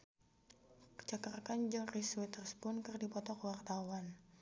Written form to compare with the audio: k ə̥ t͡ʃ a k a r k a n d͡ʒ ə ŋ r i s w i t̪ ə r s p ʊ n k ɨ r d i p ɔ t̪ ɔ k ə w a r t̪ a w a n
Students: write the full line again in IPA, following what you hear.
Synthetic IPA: k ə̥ t͡ʃ a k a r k a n d͡ʒ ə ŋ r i s w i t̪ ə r s p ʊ n k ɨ r d i p ɔ t̪ ɔ k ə w a r t̪ a w a n